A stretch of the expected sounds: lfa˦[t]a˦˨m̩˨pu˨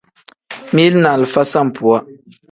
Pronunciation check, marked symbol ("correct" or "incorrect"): incorrect